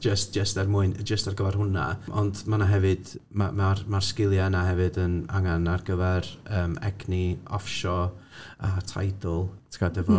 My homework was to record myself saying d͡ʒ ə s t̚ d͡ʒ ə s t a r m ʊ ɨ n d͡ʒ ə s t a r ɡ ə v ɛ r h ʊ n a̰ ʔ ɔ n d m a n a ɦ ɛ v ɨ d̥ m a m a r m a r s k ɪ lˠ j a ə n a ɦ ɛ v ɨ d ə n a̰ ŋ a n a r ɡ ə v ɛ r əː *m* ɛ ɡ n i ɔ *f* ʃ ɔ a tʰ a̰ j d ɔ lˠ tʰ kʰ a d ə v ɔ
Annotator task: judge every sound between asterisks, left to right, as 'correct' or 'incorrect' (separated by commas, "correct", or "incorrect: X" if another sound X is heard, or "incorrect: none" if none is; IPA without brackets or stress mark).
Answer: correct, correct